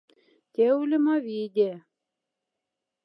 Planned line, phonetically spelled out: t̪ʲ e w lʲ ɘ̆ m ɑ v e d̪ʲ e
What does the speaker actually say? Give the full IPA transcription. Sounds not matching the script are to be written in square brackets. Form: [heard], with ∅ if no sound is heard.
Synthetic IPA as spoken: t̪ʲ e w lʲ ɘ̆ m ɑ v [i] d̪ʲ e